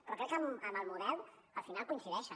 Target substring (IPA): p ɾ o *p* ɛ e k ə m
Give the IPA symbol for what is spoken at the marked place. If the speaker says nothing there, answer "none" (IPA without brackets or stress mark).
k